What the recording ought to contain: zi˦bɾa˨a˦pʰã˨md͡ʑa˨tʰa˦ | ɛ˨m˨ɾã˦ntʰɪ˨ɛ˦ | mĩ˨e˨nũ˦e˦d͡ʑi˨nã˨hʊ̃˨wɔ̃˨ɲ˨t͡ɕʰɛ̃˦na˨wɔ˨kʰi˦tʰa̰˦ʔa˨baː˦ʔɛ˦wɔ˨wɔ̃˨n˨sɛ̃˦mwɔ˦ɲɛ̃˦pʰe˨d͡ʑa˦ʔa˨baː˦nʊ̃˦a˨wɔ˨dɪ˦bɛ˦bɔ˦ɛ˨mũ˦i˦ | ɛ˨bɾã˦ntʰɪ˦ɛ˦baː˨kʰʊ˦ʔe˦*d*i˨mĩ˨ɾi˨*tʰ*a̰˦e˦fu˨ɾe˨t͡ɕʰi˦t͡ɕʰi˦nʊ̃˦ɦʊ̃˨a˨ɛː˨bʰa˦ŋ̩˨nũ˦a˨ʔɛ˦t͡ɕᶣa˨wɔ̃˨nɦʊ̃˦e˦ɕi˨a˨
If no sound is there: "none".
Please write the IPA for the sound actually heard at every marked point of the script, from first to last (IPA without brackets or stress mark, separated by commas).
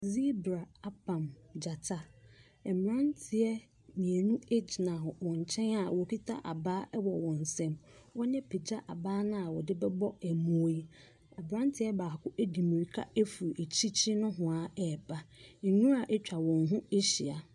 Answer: d, kʰ